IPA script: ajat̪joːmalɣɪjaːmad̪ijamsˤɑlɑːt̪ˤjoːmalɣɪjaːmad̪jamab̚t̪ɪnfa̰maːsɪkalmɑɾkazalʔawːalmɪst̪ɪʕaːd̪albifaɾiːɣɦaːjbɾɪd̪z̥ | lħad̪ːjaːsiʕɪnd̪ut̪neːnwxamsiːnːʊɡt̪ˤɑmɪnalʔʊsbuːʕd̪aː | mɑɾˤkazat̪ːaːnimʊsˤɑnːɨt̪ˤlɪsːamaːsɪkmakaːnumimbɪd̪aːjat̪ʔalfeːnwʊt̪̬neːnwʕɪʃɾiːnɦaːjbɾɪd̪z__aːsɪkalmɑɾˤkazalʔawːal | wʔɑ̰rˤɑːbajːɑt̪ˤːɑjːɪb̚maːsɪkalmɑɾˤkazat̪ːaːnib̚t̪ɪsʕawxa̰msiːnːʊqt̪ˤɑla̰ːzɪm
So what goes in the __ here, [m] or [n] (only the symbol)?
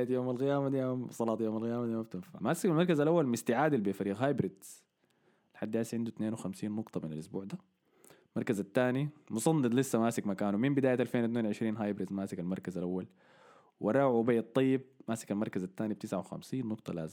m